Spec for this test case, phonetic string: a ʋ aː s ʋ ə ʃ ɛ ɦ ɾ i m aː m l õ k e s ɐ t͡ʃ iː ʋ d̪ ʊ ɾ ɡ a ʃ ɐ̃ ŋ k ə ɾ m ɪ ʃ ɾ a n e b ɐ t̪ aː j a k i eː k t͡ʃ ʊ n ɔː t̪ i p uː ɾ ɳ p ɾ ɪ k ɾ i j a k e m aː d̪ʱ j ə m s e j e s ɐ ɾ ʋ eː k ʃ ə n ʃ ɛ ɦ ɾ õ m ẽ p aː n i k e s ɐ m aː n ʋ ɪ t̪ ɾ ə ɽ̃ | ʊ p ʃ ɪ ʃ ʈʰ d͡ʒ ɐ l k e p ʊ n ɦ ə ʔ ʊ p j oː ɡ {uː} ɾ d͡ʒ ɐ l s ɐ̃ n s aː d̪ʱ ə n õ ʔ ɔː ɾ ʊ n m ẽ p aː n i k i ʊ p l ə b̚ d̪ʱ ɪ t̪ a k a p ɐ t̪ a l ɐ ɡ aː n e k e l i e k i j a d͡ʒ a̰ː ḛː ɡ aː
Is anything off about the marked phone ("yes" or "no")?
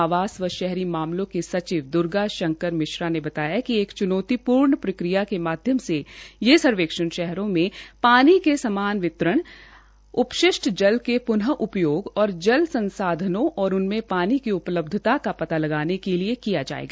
yes